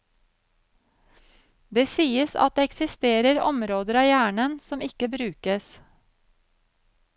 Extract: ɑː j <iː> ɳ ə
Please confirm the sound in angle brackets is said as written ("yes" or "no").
no